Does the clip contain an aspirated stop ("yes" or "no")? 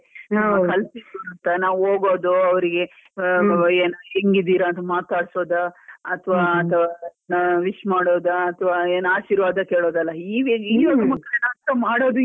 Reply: yes